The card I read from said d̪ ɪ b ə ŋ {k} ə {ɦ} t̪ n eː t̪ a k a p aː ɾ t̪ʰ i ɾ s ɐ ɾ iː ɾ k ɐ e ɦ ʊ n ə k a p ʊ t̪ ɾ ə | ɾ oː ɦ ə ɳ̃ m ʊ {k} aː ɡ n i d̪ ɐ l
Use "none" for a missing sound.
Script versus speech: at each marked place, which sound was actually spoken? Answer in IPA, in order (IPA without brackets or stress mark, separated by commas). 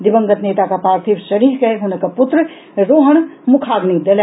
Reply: ɡ, none, kʰ